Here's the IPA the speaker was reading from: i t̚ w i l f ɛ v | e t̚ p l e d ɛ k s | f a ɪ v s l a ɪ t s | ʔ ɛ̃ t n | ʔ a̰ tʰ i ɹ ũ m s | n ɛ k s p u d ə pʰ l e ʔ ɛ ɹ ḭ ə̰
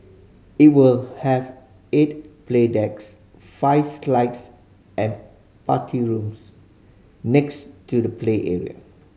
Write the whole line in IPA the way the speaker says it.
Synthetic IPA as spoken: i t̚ w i l h ɛ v | e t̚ p l e d ɛ k s | f a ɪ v s l a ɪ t s | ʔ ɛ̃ n | p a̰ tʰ i ɹ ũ m s | n ɛ k s t u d ə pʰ l e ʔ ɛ ɹ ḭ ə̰